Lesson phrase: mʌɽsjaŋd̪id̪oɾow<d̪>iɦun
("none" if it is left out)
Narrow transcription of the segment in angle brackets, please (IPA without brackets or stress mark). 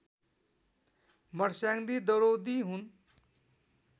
d̪